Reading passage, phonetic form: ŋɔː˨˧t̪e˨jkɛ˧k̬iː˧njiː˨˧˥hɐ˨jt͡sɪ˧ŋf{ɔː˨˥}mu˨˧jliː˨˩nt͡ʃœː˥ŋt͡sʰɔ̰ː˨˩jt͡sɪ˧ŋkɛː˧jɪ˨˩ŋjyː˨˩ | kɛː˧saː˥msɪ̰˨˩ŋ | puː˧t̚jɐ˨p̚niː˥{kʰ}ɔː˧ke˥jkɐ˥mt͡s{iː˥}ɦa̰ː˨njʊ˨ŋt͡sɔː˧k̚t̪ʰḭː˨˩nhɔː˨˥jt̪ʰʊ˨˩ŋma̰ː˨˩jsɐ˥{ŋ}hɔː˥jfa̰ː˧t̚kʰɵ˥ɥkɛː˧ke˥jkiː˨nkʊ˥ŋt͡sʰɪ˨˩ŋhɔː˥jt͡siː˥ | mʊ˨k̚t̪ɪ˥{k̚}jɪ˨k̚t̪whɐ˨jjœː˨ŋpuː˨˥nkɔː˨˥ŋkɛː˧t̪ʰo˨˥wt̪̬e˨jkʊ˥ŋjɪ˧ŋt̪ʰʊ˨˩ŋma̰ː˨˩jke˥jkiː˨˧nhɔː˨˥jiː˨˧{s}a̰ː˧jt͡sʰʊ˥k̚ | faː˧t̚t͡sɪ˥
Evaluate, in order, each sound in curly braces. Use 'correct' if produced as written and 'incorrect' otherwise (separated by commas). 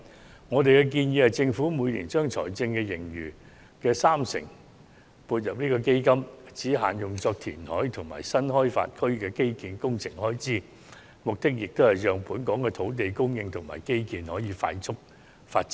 incorrect, incorrect, incorrect, incorrect, correct, incorrect